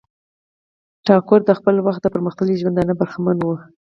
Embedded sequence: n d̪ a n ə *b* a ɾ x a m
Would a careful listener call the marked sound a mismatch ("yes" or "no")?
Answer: no